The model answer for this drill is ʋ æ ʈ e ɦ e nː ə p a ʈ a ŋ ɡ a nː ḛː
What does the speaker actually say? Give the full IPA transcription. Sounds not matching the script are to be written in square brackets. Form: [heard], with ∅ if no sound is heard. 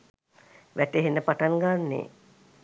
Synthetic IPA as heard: ʋ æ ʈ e ɦ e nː ə p a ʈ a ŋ ɡ a nː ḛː